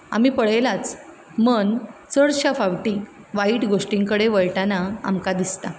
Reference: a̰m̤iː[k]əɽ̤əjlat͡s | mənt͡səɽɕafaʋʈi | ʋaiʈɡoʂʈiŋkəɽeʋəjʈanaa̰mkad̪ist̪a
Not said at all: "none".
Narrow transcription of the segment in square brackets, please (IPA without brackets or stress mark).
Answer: p